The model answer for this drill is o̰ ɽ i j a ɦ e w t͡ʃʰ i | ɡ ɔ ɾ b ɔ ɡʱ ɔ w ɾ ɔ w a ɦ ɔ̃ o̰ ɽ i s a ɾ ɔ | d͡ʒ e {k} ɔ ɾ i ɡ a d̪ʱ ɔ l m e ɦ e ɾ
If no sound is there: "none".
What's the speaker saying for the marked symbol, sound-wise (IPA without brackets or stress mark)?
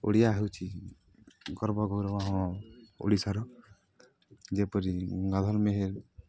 p